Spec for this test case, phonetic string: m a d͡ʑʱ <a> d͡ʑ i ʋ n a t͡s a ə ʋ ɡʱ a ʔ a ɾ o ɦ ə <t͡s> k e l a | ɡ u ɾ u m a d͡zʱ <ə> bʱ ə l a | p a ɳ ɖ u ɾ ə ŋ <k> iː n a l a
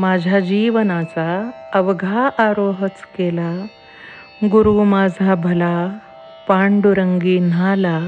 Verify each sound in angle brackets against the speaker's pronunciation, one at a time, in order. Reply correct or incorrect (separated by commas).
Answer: correct, correct, incorrect, incorrect